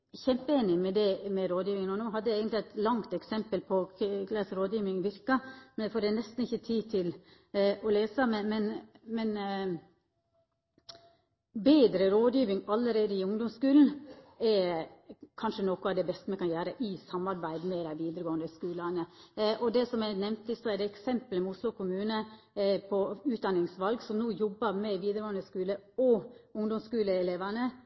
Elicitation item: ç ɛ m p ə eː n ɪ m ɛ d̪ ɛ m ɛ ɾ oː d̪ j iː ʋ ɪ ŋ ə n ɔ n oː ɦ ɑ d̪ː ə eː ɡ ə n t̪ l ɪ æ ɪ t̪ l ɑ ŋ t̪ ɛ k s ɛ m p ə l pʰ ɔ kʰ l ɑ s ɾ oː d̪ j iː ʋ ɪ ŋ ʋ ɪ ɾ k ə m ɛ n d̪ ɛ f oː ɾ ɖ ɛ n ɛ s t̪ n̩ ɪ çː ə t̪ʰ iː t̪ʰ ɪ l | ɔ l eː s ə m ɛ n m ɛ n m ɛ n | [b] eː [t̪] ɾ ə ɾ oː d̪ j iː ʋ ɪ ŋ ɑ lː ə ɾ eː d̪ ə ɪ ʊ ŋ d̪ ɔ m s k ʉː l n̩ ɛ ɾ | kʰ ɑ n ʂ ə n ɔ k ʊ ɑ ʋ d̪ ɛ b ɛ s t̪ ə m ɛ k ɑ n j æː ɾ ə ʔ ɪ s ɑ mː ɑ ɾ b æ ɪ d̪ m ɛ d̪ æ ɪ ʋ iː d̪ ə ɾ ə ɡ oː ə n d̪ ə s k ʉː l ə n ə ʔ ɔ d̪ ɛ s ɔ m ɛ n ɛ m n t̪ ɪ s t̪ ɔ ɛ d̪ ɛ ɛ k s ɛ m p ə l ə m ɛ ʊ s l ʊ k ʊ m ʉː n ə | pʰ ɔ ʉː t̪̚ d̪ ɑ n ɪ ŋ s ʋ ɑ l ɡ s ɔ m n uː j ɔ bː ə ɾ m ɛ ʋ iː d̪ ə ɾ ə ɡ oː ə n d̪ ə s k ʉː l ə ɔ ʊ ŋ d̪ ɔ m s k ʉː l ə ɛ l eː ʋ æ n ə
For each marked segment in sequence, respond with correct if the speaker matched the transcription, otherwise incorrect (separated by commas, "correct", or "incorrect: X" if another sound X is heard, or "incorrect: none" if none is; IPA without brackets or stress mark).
correct, incorrect: d̪